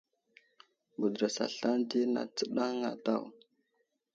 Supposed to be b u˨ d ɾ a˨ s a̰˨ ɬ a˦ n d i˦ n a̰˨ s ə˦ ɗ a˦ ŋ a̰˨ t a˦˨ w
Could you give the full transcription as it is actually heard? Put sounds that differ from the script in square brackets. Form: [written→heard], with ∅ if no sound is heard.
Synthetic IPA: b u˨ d ɾ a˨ s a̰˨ ɬ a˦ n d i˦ n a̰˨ [s→t͡s] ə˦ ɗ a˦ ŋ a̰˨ t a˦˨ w